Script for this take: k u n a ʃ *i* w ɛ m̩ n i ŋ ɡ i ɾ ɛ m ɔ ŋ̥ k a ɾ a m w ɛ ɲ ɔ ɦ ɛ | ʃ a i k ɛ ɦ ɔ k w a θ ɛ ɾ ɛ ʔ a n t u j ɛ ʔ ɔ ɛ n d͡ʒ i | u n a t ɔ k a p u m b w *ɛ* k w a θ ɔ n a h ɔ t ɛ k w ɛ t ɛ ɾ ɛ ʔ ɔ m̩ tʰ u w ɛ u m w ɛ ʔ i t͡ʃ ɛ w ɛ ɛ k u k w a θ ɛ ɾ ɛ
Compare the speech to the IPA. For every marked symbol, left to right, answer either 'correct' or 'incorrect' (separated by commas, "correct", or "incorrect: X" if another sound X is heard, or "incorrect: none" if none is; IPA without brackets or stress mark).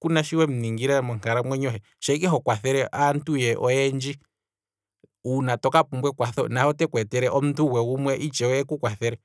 correct, correct